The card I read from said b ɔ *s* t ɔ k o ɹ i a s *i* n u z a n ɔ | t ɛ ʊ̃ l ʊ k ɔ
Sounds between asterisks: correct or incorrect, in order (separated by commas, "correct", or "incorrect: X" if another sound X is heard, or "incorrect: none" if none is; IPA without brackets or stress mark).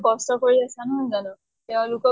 correct, incorrect: a